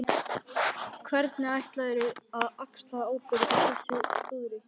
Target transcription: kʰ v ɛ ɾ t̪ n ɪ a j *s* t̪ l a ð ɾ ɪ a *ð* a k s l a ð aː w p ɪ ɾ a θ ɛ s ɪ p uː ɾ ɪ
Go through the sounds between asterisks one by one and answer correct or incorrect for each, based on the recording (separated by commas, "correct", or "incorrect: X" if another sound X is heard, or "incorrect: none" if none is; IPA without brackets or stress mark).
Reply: incorrect: h, correct